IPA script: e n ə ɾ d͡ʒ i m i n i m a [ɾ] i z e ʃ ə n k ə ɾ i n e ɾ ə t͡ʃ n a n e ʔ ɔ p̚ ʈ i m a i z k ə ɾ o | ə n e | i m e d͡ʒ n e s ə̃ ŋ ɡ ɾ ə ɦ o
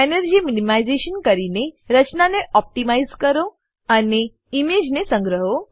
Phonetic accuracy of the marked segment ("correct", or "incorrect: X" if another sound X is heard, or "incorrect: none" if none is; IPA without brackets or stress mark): incorrect: none